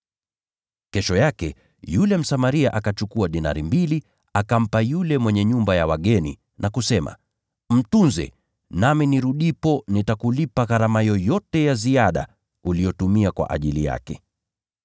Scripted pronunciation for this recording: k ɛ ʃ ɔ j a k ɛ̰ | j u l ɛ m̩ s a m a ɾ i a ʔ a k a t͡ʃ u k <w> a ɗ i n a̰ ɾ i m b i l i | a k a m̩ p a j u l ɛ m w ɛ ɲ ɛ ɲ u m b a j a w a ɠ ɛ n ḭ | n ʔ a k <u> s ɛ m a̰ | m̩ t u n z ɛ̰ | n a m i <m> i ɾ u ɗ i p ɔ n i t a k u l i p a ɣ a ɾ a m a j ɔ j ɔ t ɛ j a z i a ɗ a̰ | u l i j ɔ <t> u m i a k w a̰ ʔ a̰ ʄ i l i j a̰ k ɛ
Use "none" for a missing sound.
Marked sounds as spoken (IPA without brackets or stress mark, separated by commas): u, u, n, t